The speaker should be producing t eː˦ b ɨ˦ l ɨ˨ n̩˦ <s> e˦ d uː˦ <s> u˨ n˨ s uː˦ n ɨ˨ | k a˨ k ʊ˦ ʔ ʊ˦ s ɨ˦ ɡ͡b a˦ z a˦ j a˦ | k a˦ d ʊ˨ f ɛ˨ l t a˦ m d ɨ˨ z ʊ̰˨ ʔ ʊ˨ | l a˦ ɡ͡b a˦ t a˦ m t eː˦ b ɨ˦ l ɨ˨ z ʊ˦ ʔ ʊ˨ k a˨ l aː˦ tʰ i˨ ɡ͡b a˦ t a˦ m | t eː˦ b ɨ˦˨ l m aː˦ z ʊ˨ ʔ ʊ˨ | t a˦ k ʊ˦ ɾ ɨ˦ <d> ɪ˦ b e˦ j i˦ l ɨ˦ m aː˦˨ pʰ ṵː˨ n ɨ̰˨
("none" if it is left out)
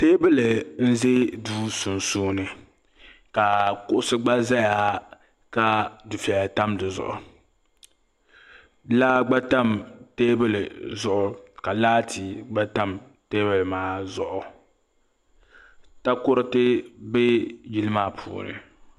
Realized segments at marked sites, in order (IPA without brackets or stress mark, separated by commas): z, s, t